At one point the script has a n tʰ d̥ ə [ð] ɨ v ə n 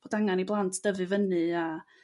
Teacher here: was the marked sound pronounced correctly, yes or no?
no